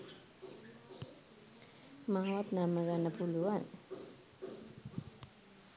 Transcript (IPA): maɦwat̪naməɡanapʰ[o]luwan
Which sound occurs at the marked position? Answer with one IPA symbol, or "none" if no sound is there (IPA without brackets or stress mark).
u